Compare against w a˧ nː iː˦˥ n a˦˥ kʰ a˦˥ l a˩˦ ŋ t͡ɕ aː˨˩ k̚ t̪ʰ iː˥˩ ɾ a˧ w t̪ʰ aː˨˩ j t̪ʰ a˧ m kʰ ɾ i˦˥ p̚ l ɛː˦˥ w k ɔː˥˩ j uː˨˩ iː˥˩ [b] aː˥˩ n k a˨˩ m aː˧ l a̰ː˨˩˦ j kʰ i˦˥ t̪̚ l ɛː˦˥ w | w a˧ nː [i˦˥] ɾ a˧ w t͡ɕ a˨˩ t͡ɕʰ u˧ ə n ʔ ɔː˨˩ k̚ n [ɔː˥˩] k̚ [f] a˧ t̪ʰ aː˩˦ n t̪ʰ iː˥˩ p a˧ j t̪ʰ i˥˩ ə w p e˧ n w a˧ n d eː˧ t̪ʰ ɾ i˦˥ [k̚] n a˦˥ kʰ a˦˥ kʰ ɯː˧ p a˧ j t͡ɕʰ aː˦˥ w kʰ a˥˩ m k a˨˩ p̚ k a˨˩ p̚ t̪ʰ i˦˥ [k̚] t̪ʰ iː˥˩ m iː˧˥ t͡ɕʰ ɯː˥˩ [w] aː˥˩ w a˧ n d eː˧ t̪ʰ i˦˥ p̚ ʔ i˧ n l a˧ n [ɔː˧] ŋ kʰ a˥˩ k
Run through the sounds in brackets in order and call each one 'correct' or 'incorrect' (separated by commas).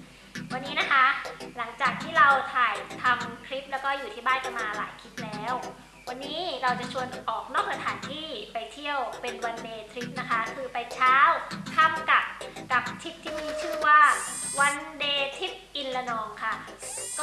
correct, incorrect, correct, incorrect, incorrect, incorrect, correct, correct